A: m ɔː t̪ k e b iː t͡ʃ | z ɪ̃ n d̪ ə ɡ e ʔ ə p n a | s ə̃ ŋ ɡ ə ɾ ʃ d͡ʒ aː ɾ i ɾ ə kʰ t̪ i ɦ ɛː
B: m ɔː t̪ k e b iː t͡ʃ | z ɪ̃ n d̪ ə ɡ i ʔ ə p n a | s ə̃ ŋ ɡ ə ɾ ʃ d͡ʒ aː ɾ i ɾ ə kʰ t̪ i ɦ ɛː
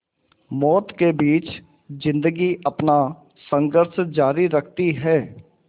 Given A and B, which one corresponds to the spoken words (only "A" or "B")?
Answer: B